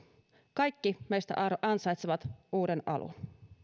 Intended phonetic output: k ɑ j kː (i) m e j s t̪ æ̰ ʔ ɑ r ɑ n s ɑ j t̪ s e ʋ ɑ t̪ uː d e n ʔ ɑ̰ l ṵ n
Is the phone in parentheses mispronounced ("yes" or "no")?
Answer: no